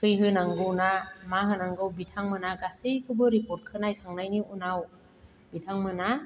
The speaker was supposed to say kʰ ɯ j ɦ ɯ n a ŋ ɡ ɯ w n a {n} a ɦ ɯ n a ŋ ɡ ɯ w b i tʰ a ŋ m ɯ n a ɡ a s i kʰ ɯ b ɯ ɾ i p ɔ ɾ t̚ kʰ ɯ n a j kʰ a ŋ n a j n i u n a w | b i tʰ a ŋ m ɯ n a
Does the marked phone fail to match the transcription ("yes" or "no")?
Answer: yes